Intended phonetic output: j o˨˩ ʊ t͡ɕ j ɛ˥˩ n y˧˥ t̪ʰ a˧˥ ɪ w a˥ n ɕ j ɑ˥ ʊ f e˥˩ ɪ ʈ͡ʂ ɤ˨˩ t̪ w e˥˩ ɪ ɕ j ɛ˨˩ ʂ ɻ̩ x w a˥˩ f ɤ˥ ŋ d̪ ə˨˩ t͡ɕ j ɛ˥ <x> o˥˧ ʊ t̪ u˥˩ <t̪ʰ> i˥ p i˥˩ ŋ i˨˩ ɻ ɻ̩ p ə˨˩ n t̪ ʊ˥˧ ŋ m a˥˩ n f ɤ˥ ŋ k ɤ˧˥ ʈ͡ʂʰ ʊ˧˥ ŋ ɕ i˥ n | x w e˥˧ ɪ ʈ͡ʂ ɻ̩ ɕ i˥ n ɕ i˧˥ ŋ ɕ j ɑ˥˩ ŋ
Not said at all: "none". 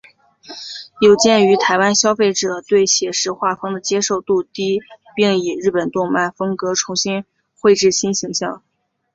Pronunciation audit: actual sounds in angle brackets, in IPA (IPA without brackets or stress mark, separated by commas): ʂ, t̪